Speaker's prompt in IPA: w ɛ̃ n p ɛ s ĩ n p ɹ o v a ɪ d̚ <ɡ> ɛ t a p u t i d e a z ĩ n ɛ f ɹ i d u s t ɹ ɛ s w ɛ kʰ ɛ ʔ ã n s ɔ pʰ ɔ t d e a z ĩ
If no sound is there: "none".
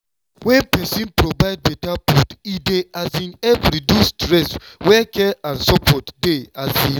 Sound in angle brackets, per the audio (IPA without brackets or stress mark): b